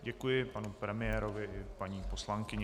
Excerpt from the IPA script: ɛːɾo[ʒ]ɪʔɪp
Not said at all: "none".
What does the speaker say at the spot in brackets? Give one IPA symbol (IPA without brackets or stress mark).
v